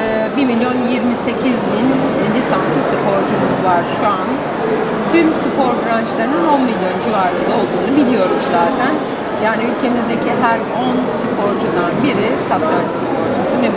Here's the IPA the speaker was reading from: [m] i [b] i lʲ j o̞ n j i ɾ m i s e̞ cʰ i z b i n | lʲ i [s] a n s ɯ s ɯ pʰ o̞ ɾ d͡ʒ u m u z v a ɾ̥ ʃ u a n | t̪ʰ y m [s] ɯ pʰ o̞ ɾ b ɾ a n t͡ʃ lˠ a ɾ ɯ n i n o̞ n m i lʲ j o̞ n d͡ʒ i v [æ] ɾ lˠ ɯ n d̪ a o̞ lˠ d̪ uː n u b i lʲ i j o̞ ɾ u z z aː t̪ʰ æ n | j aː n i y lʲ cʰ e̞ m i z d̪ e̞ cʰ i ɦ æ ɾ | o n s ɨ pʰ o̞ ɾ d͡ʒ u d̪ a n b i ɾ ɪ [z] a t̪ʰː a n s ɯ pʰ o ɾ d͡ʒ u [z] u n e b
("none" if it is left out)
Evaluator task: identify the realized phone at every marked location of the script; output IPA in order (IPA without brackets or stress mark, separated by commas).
b, m, s, s, a, s, s